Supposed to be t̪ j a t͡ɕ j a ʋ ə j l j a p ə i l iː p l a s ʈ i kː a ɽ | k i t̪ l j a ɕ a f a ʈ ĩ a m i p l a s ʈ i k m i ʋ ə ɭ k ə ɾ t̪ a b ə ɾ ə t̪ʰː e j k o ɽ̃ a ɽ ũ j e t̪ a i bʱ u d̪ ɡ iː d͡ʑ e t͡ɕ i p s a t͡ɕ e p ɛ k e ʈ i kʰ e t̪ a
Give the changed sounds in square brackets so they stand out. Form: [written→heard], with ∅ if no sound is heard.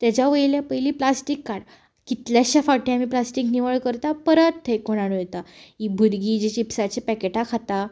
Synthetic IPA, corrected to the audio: t̪ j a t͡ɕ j a ʋ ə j l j a p ə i l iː p l a s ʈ i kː a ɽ | k i t̪ l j a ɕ a f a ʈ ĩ a m i p l a s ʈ i k [m→n] i ʋ ə ɭ k ə ɾ t̪ a [b→p] ə ɾ ə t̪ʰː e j k o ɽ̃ a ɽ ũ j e t̪ a i bʱ u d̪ ɡ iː d͡ʑ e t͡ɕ i p s a t͡ɕ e p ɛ k e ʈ [i→a] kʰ [e→a] t̪ a